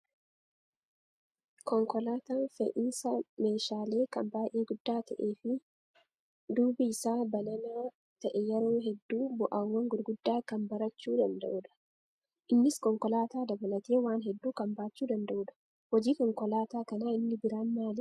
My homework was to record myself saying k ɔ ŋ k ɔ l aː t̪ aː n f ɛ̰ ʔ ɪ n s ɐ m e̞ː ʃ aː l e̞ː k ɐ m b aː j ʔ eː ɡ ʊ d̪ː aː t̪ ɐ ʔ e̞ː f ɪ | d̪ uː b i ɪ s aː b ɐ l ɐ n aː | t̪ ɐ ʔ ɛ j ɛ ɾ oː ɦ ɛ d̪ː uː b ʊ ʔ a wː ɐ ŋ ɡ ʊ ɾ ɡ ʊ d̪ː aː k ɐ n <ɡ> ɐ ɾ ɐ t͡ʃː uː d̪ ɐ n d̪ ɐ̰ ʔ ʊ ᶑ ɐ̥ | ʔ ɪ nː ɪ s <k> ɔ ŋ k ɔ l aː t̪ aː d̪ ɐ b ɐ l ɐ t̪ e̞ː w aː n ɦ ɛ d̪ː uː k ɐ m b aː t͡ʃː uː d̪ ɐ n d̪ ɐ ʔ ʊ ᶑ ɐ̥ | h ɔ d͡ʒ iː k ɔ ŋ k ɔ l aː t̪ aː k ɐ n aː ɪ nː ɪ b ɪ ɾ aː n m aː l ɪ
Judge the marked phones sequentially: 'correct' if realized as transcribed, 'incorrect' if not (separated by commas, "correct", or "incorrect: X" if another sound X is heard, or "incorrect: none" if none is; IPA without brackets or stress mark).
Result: incorrect: b, correct